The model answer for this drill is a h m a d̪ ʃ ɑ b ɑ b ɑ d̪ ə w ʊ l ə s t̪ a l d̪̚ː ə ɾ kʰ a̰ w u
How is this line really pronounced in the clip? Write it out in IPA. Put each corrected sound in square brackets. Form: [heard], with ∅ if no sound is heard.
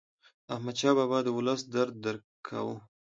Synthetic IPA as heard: a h m a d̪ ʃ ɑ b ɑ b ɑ d̪ ə w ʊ l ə s [d̪] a [ɾ] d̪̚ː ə ɾ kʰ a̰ w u